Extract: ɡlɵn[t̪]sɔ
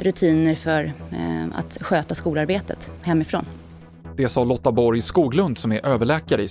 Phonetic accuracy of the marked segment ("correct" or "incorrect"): incorrect